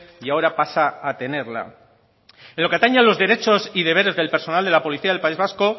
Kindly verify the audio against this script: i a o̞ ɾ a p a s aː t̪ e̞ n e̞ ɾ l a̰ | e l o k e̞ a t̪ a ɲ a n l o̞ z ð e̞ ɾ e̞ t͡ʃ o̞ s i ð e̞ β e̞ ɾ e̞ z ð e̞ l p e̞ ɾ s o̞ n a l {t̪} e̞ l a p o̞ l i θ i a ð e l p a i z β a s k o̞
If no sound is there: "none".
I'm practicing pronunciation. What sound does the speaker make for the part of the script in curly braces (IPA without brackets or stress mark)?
d̪